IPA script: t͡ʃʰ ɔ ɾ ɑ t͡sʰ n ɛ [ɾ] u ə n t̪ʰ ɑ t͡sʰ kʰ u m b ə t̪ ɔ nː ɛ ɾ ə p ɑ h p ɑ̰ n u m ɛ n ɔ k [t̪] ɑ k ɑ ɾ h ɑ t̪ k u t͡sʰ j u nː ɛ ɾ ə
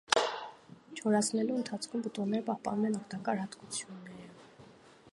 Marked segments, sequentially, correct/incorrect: incorrect, correct

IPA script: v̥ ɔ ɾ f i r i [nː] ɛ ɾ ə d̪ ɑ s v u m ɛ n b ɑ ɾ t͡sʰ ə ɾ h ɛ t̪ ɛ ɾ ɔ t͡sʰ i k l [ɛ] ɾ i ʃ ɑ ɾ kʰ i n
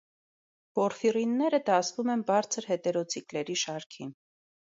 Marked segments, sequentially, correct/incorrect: correct, correct

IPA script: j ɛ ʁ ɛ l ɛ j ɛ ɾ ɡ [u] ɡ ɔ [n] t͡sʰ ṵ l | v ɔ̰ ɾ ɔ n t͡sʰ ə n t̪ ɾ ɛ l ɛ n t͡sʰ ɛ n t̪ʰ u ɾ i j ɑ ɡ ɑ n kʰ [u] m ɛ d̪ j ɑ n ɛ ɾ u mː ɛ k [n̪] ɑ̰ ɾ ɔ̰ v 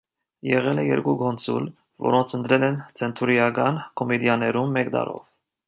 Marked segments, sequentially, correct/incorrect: correct, correct, incorrect, incorrect

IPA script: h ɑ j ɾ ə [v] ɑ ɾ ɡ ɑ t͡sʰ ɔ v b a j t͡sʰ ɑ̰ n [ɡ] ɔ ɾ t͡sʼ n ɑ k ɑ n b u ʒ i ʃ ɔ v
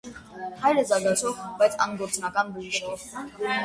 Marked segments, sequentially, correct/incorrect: incorrect, correct

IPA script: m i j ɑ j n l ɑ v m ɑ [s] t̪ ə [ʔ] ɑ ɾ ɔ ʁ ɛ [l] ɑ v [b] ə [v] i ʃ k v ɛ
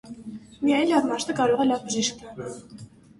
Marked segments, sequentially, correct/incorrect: incorrect, incorrect, correct, correct, incorrect

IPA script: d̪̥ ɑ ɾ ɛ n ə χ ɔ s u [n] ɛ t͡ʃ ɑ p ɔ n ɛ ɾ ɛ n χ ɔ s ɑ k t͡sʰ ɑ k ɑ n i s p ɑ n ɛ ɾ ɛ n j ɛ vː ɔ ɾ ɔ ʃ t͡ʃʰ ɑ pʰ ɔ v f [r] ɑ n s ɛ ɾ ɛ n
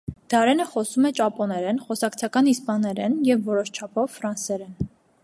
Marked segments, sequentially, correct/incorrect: incorrect, incorrect

